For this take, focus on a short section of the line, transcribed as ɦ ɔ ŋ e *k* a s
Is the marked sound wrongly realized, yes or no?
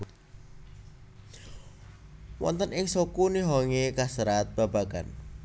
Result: no